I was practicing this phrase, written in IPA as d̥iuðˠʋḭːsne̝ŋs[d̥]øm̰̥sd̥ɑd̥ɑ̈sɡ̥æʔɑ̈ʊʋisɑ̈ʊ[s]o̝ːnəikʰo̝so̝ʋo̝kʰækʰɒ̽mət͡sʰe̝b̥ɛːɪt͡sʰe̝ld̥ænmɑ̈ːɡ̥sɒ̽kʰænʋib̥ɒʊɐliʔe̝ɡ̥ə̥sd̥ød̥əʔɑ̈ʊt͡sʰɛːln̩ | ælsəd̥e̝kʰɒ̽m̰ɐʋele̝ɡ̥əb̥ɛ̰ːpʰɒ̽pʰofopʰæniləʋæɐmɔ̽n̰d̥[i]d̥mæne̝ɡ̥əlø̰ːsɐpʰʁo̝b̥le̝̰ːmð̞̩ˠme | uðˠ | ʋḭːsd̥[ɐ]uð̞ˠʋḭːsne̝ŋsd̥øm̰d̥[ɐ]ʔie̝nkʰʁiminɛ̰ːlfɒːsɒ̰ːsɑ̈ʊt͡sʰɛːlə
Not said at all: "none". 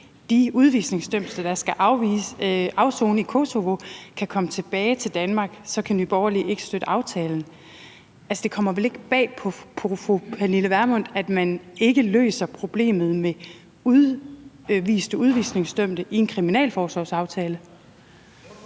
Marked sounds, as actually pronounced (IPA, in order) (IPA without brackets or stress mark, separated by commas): d̥, s, æ, ə, ə